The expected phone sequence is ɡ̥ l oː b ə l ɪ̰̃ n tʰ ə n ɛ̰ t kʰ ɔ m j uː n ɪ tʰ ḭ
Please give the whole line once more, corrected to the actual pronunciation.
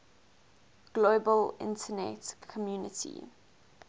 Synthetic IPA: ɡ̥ l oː b ə l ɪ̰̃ n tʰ ə n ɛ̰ t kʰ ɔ m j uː n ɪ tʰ ḭ